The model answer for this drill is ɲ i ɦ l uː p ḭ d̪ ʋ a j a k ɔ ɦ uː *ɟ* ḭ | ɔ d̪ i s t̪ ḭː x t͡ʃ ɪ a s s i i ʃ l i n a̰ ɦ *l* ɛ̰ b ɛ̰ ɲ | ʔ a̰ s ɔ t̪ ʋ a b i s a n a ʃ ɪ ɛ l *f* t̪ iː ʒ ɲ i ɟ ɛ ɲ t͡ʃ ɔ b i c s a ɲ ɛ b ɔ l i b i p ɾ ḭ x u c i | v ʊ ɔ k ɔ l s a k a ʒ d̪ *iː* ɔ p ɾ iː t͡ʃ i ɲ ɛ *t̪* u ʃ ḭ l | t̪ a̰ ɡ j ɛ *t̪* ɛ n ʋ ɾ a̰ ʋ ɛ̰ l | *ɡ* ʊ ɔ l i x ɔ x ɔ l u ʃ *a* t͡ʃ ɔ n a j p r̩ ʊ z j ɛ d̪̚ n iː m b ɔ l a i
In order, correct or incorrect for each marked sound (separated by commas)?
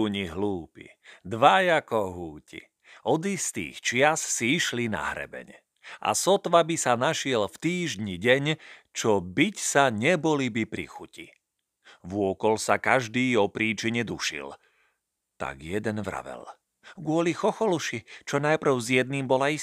incorrect, incorrect, correct, correct, incorrect, incorrect, correct, incorrect